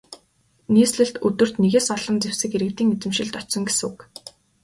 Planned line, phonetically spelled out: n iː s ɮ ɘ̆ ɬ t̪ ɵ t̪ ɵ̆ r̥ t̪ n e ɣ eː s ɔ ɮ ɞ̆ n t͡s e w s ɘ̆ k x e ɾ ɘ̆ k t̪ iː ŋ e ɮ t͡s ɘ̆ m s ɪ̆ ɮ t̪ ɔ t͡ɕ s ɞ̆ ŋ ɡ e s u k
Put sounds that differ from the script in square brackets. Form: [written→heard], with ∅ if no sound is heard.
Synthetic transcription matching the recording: n iː s ɮ ɘ̆ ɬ t̪ ɵ t̪ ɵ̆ r̥ t̪ n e ɣ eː s ɔ ɮ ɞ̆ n t͡s e w s ɘ̆ k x e ɾ ɘ̆ k t̪ iː ŋ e [ɮ→∅] t͡s ɘ̆ m [s→ʃ] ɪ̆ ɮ t̪ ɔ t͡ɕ s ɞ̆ ŋ ɡ e s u k